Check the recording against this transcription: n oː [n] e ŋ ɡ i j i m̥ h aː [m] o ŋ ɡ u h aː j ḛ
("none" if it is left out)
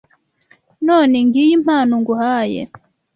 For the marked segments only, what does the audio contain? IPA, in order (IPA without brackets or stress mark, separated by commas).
n, n